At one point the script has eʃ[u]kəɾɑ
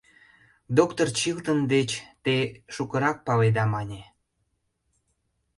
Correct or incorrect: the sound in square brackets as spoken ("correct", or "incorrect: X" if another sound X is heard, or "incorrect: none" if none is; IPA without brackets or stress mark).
correct